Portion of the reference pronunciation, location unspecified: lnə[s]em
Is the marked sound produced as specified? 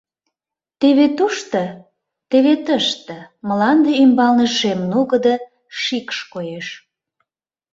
no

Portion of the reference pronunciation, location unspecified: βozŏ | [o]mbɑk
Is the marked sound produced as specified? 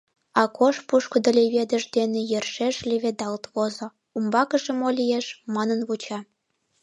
no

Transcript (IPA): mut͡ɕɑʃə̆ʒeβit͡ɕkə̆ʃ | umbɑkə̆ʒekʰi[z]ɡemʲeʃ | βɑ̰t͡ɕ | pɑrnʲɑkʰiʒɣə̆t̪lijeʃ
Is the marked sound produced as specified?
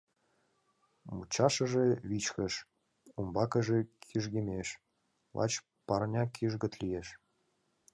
no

